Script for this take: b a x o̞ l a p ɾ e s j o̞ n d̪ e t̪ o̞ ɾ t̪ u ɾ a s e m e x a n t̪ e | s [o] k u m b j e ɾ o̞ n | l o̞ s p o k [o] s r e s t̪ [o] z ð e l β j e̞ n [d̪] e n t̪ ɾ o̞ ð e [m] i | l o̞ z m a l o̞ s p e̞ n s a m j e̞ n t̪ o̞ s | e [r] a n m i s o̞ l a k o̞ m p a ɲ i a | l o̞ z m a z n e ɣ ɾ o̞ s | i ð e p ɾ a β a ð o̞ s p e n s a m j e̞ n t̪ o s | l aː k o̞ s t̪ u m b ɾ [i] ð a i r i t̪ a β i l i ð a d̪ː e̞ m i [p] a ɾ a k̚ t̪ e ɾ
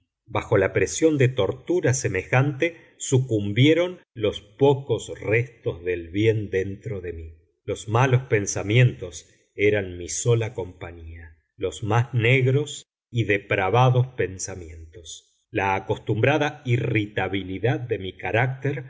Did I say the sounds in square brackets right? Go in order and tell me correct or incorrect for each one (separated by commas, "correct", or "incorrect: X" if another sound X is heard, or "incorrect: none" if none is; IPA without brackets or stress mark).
incorrect: u, correct, correct, correct, correct, incorrect: ɾ, incorrect: a, incorrect: k